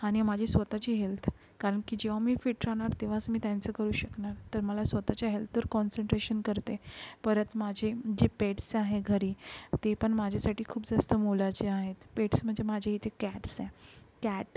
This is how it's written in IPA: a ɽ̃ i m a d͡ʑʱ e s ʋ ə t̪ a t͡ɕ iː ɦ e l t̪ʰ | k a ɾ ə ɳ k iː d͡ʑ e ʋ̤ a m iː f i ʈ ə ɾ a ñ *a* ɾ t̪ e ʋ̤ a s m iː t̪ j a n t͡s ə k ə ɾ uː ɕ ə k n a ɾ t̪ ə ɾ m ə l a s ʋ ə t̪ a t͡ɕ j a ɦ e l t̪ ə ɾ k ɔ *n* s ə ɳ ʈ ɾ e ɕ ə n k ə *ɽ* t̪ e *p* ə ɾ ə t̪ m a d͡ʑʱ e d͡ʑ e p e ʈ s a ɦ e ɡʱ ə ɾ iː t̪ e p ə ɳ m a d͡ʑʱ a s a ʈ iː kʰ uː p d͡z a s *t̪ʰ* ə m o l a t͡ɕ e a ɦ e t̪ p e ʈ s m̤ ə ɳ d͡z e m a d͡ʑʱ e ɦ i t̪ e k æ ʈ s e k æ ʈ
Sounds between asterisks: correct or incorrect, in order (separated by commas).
correct, correct, incorrect, correct, incorrect